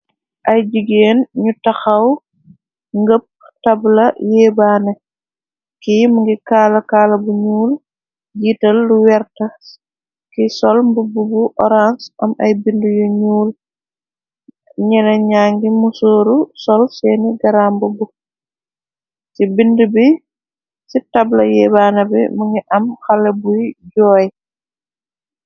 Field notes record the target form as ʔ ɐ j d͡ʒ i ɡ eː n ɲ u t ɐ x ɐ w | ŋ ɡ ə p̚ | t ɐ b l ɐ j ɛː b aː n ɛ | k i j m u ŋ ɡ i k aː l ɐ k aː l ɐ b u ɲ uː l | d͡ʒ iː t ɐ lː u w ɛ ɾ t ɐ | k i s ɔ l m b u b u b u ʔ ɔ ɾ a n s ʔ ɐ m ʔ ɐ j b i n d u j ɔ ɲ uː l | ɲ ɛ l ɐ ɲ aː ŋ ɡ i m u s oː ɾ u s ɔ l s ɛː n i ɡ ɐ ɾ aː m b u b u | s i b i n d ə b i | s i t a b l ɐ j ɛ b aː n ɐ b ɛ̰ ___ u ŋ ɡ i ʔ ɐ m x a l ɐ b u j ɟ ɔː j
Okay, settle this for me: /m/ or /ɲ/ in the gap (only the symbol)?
m